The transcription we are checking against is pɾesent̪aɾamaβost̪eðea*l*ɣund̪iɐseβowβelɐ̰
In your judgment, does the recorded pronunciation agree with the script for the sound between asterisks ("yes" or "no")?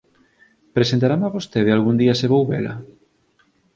yes